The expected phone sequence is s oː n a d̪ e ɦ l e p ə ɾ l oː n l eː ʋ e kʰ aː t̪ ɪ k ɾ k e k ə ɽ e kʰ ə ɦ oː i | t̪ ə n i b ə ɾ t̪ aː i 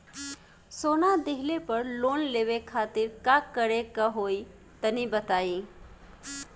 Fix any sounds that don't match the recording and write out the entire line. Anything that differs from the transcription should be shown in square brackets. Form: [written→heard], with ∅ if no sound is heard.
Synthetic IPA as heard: s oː n a d̪ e ɦ l e p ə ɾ l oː n l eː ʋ e kʰ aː t̪ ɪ [k→∅] ɾ k [e→a] k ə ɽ e [kʰ→k] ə ɦ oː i | t̪ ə n i b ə [ɾ→∅] t̪ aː i